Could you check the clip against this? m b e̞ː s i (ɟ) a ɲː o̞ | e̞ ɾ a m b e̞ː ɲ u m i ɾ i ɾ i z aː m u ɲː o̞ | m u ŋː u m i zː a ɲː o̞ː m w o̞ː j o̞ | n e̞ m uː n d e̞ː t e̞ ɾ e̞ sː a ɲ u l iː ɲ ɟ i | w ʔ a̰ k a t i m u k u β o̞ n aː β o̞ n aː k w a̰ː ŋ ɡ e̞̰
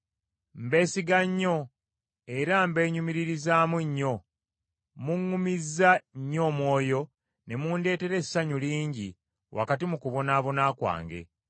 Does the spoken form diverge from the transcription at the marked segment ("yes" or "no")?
yes